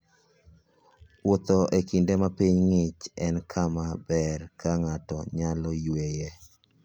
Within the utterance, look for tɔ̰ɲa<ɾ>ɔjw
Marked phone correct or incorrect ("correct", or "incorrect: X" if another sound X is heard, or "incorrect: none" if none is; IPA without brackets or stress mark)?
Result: incorrect: l